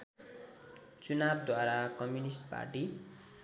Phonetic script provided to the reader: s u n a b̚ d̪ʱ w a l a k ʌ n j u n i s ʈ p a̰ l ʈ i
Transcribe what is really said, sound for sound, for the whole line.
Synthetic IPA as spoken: t͡s u n a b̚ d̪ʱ w a ɾ a k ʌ m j u n i s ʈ p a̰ r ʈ i